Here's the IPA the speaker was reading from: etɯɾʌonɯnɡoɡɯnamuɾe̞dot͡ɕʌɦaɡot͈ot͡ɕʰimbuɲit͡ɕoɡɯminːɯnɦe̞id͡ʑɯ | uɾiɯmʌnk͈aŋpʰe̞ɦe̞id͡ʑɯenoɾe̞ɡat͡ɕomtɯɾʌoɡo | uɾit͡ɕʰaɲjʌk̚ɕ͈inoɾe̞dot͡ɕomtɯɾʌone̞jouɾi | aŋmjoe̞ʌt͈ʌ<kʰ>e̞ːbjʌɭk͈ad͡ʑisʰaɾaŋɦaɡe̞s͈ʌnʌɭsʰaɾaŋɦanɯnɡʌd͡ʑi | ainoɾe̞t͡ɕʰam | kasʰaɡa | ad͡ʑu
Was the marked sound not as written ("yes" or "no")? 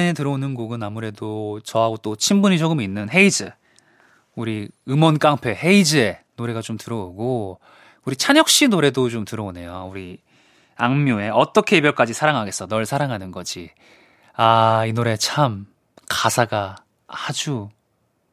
no